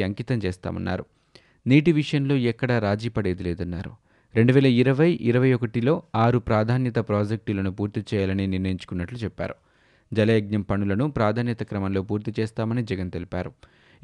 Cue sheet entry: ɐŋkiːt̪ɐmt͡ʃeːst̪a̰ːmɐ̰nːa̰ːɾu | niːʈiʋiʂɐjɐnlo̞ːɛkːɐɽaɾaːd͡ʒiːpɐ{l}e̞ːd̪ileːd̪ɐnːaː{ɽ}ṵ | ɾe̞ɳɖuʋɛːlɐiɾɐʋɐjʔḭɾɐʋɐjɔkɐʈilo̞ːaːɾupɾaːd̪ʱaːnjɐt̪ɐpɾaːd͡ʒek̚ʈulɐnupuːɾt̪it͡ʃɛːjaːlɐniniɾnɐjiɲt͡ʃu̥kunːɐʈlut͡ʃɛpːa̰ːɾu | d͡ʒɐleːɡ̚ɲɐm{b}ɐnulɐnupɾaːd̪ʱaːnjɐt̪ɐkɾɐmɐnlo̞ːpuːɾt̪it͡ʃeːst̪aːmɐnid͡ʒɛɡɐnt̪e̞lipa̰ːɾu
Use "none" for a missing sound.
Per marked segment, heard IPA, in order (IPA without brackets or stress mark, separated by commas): ɽ, ɾ, p